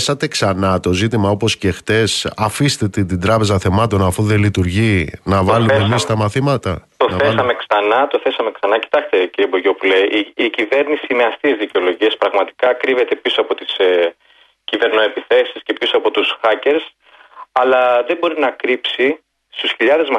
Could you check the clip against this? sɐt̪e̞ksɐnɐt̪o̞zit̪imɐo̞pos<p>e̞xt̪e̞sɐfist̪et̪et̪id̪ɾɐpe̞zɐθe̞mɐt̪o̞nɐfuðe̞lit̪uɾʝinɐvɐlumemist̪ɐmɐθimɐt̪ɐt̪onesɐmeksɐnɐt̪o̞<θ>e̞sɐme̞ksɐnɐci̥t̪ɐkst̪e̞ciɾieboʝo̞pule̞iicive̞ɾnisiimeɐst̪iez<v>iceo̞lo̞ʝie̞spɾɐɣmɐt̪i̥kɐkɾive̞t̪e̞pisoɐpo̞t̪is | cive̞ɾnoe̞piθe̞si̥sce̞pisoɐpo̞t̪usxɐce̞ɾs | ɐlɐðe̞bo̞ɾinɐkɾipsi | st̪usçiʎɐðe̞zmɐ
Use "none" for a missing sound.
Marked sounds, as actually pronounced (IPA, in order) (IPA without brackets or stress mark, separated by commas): c, θ, ð